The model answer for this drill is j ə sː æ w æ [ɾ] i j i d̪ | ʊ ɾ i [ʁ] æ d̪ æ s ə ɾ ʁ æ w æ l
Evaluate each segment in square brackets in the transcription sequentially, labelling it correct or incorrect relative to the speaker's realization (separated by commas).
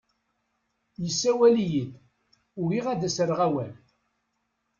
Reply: incorrect, correct